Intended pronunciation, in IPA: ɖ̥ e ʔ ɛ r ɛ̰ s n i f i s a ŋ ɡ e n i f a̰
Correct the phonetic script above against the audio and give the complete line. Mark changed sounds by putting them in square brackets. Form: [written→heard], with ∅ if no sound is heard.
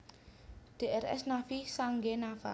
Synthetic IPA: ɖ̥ e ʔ ɛ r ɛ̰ s n [i→a] f i s a ŋ ɡ e n [i→a] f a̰